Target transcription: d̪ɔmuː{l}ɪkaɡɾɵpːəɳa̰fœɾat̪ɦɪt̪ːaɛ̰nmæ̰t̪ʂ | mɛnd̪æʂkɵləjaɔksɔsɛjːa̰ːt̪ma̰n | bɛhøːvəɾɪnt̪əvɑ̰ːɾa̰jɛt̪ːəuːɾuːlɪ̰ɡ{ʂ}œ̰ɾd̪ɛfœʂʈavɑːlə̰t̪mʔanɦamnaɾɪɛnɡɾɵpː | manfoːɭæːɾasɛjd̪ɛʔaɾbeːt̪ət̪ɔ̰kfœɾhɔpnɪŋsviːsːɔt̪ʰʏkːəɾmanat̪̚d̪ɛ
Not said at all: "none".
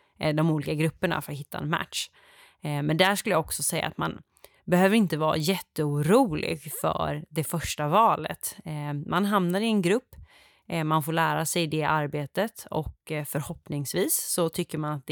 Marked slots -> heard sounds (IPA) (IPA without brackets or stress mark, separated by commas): l, f